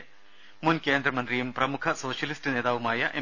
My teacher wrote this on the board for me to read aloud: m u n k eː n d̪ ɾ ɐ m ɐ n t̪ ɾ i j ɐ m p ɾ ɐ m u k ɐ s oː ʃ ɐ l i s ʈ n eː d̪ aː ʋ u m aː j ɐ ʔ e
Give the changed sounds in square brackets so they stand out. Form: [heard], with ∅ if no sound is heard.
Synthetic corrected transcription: m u n k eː n d̪ ɾ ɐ m ɐ n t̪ ɾ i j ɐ m p ɾ ɐ m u [kʰ] ɐ s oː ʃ ɐ l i s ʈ n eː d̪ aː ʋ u m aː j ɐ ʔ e